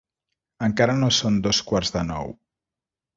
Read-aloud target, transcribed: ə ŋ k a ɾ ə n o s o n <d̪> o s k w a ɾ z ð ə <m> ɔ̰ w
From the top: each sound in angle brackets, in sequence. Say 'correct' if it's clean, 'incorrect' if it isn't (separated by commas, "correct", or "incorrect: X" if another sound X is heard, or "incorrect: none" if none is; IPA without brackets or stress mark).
correct, incorrect: n